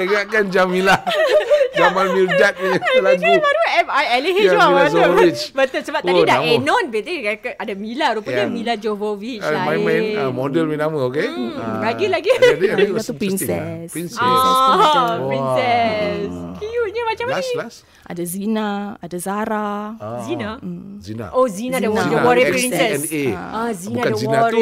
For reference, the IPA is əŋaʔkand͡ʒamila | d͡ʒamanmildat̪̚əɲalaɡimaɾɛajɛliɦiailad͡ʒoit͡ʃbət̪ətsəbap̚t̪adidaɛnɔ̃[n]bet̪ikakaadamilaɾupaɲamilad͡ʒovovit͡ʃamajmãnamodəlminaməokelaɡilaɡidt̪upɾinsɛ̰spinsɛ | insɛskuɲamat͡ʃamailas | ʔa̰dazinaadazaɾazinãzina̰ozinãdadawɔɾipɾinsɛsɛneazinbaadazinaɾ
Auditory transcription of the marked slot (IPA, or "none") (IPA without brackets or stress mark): n